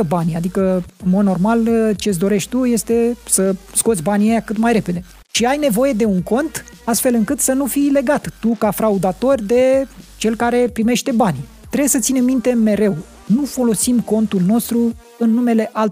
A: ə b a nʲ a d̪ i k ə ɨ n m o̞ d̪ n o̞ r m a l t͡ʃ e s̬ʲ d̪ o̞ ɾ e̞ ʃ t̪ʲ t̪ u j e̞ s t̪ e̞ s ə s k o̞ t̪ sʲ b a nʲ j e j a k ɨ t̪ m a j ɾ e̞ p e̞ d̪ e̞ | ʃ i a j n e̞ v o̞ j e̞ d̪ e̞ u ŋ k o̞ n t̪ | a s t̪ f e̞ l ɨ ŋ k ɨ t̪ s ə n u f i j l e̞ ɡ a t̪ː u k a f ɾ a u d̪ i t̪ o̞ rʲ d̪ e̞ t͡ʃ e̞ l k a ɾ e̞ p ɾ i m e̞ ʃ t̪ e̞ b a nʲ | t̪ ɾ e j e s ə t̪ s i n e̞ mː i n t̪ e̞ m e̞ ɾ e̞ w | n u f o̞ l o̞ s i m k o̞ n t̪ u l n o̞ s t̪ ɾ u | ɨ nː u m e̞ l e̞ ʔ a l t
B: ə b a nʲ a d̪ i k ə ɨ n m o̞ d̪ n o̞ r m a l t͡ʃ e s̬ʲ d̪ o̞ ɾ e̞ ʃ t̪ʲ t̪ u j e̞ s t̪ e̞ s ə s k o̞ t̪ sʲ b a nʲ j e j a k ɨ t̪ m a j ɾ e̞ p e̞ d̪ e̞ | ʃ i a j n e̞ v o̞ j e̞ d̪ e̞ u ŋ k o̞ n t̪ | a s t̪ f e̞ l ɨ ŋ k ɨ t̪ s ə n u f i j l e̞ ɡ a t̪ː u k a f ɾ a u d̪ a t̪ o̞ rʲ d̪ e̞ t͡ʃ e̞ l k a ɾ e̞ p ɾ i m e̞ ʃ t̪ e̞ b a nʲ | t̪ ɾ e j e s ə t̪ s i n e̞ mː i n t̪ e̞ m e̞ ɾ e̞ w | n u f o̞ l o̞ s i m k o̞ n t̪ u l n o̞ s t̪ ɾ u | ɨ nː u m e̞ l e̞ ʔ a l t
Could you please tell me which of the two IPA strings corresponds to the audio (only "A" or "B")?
B